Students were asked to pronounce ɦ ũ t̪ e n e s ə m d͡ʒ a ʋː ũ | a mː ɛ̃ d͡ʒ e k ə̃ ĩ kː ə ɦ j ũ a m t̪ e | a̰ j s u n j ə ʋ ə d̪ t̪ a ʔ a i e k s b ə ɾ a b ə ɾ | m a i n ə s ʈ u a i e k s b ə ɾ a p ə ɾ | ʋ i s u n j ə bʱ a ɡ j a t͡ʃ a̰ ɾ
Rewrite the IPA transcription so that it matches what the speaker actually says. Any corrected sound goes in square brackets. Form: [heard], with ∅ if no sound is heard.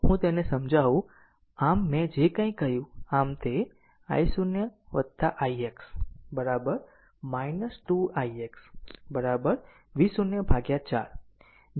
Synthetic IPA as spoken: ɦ ũ t̪ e n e s ə m d͡ʒ a [ʋ] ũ | a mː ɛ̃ d͡ʒ e k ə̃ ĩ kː ə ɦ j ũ a m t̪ e | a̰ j s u n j ə ʋ ə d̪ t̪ a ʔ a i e k s b ə ɾ a b ə ɾ | m a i n ə s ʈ u a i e k s b ə ɾ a [b] ə ɾ | ʋ i s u n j ə bʱ a ɡ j a t͡ʃ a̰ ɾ